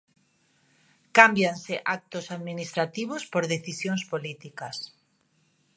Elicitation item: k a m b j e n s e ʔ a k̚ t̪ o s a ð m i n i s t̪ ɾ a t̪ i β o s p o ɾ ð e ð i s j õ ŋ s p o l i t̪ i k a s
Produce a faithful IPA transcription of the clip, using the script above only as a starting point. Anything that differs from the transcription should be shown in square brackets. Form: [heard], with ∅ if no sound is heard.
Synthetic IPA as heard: k a m b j [a] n s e ʔ a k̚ t̪ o s a ð m i n i s t̪ ɾ a t̪ i β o s p o ɾ ð e [θ] i s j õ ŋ s p o l i t̪ i k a s